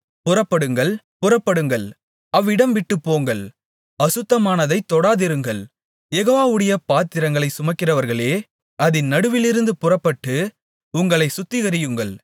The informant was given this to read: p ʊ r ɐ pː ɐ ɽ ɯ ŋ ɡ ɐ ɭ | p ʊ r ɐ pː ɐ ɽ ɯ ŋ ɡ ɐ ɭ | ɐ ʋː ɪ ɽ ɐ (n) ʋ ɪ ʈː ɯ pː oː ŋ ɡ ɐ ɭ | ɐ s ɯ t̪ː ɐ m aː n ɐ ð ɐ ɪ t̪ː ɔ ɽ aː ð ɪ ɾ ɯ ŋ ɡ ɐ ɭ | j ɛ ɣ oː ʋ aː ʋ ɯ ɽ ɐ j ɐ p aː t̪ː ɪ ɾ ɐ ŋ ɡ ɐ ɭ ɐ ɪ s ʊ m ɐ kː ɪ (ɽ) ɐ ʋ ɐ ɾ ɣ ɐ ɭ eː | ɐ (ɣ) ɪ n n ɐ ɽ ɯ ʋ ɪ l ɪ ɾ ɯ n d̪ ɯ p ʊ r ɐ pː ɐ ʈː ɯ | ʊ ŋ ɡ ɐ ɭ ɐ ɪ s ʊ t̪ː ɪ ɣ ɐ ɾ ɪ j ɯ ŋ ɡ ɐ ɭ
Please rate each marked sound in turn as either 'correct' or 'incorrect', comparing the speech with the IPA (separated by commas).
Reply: incorrect, incorrect, incorrect